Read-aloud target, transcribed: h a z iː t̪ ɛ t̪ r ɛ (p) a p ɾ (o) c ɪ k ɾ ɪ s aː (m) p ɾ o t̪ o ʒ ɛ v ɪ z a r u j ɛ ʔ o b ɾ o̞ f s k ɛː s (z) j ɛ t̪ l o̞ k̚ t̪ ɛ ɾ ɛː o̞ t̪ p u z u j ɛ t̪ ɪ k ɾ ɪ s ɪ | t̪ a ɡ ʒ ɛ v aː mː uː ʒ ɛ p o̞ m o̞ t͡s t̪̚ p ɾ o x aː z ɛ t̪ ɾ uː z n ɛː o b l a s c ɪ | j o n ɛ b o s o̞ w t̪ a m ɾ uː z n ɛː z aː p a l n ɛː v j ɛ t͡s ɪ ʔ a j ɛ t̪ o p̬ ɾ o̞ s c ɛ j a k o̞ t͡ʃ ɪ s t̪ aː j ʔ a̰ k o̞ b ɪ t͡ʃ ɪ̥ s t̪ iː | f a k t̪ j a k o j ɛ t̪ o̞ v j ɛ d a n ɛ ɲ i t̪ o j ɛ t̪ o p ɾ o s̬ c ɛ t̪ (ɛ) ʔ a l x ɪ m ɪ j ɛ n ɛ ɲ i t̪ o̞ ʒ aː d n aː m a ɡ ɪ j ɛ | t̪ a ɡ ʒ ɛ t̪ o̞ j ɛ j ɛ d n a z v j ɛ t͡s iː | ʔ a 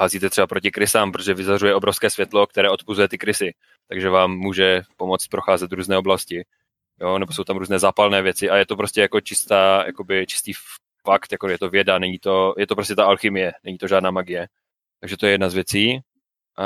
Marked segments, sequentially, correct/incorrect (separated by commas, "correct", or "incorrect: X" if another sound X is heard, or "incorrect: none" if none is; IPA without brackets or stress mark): incorrect: b, correct, correct, incorrect: v, incorrect: a